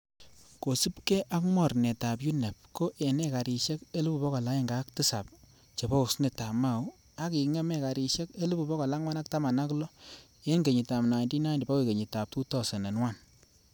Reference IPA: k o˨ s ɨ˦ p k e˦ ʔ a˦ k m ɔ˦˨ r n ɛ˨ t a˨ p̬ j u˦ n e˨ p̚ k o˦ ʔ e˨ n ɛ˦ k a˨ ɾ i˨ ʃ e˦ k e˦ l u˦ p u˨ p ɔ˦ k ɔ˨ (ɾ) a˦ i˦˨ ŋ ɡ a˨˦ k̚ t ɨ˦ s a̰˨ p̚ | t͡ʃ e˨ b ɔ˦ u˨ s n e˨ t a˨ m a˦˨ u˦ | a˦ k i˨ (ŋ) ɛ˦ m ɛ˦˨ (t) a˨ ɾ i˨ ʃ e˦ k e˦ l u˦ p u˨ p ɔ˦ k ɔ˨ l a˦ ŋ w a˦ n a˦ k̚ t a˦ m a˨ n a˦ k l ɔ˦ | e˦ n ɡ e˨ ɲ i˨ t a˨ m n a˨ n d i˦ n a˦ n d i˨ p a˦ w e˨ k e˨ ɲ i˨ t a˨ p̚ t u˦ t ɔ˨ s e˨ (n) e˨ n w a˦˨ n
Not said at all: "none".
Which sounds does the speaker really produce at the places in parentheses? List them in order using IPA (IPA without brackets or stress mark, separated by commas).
l, ŋ, k, n